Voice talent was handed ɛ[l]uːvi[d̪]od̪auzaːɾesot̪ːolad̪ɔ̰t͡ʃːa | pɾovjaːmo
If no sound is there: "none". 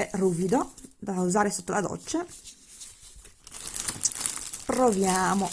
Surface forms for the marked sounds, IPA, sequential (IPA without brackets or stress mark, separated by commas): r, d̪